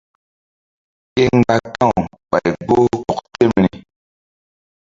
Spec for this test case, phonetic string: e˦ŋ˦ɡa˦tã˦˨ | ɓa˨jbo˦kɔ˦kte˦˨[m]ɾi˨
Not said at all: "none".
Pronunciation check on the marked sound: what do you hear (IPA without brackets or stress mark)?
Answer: m